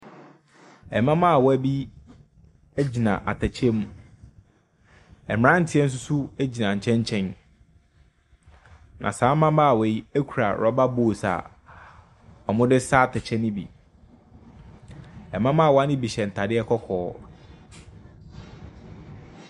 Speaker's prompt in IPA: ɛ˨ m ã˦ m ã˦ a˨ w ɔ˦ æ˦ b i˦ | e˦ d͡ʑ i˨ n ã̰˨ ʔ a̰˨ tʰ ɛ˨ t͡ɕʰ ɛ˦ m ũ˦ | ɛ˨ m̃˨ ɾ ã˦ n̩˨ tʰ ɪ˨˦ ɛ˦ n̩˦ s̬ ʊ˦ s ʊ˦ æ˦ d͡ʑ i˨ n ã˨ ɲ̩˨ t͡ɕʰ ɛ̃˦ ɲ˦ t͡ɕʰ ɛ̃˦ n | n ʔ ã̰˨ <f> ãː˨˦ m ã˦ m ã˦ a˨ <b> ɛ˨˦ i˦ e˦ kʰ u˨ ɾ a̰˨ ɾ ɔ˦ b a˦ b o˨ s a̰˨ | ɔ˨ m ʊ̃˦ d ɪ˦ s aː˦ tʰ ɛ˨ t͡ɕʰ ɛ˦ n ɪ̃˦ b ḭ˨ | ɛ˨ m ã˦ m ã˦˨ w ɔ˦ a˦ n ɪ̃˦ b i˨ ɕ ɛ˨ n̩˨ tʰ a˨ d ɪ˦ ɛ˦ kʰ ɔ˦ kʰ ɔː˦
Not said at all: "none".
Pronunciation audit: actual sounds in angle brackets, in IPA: s, w

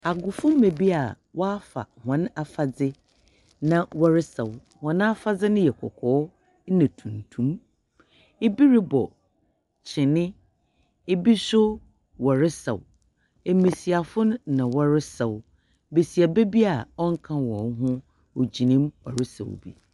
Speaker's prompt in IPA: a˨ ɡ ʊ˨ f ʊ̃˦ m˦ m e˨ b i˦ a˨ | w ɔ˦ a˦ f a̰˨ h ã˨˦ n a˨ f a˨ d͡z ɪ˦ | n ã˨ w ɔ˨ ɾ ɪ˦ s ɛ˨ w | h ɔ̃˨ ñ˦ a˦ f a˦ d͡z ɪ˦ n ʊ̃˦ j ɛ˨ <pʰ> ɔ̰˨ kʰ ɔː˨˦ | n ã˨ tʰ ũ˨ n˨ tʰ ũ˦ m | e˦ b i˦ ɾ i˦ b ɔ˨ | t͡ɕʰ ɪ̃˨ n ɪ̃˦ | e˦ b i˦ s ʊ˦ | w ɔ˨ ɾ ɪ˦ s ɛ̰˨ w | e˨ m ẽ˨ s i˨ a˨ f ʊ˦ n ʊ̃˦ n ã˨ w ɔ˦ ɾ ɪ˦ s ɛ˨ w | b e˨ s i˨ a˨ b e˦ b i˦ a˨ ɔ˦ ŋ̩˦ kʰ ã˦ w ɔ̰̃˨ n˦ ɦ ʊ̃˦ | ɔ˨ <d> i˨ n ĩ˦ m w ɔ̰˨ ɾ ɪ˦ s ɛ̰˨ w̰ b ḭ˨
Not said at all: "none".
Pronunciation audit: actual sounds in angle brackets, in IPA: kʰ, d͡ʑ

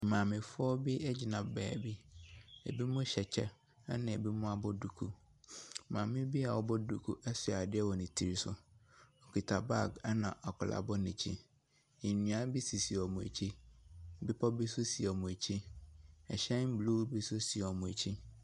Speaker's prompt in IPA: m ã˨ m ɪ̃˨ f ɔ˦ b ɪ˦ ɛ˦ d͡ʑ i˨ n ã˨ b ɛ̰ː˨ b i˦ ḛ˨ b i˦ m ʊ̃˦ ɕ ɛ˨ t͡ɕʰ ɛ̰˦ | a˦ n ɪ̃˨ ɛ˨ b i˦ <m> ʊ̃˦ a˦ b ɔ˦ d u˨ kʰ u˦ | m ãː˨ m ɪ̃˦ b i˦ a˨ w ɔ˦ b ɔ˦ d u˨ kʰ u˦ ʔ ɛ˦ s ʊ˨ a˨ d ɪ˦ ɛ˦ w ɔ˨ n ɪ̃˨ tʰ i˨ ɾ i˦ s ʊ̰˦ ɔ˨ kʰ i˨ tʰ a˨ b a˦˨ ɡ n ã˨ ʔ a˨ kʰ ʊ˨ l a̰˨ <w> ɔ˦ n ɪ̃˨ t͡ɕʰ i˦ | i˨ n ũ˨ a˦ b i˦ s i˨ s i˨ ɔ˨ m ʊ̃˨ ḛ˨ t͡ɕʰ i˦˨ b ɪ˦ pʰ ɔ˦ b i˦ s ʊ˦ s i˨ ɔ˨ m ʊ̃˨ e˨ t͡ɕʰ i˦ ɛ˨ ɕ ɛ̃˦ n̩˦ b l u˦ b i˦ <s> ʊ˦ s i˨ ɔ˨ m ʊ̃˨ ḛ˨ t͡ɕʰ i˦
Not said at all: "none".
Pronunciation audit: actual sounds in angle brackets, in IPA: m, b, s

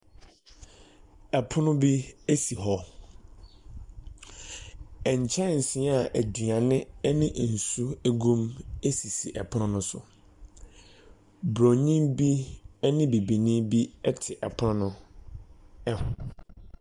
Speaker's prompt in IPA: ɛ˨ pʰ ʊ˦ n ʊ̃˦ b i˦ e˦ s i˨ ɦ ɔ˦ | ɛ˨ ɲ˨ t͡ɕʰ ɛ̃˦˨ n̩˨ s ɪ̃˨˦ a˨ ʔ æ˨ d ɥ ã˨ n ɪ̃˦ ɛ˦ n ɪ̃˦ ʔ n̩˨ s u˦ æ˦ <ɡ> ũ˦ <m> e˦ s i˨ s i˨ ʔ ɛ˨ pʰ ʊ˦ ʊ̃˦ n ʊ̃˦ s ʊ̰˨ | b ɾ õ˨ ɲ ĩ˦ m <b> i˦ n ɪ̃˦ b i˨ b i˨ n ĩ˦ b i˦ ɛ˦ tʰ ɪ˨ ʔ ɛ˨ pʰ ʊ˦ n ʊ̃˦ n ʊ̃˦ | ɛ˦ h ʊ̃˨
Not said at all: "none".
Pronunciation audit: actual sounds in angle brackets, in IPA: ɡ, m, b

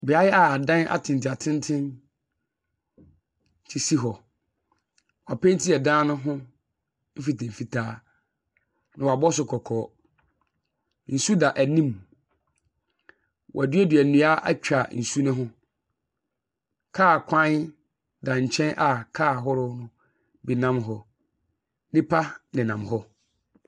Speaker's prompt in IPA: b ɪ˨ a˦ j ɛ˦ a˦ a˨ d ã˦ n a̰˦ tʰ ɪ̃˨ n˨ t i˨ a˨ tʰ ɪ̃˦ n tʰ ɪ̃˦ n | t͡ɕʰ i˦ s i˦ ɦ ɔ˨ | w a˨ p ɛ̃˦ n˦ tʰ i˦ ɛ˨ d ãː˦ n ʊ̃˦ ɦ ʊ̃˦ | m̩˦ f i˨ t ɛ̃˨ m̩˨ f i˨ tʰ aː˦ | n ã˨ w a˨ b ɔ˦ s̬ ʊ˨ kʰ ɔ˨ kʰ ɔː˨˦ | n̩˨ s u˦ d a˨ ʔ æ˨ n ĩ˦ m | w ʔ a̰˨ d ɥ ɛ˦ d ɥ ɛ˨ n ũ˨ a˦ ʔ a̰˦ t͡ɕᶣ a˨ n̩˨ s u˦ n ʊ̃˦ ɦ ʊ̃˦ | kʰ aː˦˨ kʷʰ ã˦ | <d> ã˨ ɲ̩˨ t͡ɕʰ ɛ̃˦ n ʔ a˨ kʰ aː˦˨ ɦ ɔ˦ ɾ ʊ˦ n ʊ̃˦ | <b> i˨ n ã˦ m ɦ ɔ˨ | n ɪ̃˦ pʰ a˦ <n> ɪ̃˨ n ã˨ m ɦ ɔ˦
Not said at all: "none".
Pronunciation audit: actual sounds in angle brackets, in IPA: d, b, n

